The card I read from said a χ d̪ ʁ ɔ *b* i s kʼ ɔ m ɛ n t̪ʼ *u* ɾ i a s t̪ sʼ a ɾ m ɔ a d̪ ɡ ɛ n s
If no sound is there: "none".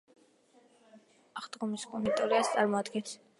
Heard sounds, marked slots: m, ɔ

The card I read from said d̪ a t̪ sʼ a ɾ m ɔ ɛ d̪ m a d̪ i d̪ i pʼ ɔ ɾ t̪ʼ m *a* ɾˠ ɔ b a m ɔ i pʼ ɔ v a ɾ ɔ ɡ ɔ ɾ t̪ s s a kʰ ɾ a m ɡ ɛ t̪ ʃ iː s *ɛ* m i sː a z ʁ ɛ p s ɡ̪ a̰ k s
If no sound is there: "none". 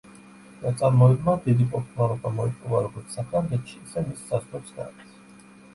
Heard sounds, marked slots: a, ɛ

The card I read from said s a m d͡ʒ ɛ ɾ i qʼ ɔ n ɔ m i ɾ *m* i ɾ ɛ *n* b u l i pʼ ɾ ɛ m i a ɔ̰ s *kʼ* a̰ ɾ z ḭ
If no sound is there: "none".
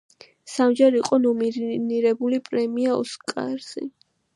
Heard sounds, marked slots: n, none, kʼ

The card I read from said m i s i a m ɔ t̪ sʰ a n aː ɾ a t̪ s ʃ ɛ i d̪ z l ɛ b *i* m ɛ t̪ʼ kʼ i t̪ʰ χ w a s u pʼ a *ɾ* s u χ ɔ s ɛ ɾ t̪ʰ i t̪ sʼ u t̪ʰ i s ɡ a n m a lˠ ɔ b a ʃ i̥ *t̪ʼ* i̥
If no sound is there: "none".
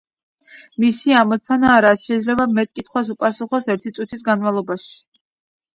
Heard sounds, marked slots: a, none, none

